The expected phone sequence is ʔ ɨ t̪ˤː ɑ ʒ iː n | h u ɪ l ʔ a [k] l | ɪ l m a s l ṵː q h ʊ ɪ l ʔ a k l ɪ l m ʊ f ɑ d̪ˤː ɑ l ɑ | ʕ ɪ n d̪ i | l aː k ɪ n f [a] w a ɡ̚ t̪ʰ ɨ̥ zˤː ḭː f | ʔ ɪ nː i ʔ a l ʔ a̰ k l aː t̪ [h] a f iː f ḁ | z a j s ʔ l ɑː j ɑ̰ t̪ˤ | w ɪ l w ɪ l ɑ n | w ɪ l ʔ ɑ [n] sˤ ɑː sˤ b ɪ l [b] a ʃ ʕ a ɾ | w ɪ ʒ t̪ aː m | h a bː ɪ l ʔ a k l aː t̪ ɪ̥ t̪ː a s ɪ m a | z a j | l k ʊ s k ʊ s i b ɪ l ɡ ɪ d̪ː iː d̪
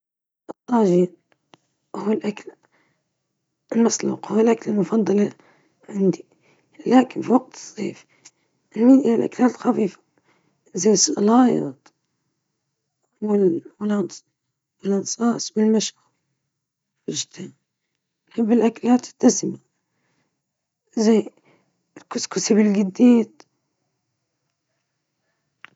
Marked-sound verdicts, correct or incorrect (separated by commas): correct, incorrect, incorrect, correct, incorrect